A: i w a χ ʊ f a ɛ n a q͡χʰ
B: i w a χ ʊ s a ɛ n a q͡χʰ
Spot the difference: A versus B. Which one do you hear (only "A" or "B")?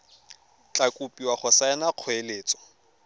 B